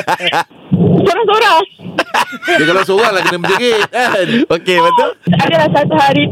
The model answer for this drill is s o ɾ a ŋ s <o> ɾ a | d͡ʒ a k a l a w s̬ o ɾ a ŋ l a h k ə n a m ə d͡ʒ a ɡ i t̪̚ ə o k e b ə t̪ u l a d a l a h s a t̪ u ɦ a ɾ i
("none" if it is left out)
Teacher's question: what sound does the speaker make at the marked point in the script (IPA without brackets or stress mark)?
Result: o